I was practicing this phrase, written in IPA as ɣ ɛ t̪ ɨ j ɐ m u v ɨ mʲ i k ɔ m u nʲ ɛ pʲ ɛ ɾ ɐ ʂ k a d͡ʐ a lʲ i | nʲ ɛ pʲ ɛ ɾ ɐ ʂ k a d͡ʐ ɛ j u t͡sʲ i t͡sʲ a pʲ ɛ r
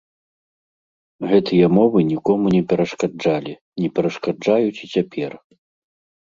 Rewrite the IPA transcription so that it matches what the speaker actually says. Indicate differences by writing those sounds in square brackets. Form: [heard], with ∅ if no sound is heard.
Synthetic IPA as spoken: ɣ ɛ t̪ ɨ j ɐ m [ɔ] v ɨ [nʲ] i k ɔ m u nʲ ɛ pʲ ɛ ɾ ɐ ʂ k a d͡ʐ a lʲ i | nʲ ɛ pʲ ɛ ɾ ɐ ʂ k a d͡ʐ [a] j u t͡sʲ i t͡sʲ a pʲ ɛ r